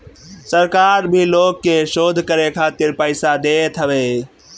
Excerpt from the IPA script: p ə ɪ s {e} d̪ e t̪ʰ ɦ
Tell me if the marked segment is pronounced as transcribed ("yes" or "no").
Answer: no